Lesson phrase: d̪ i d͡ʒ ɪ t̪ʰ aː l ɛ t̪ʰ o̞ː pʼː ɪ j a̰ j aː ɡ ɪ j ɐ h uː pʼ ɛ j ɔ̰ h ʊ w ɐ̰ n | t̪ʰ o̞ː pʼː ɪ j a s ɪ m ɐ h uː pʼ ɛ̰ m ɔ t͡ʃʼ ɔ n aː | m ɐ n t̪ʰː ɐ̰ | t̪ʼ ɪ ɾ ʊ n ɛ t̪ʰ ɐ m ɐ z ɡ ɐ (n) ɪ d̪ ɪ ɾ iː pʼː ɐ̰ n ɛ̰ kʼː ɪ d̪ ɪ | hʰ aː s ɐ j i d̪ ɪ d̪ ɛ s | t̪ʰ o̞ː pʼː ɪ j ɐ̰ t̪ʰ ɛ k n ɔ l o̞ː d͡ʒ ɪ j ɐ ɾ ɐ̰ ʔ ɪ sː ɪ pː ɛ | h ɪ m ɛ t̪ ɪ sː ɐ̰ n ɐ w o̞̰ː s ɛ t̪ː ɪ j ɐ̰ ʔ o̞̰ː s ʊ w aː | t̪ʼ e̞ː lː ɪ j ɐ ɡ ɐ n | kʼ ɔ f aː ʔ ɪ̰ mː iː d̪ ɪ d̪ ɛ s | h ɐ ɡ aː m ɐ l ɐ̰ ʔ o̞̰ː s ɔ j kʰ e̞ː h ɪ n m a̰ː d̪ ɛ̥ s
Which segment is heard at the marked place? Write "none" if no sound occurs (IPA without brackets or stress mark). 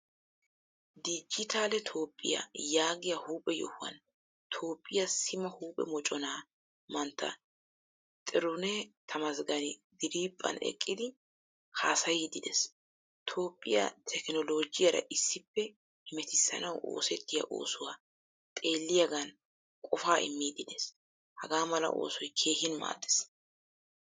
n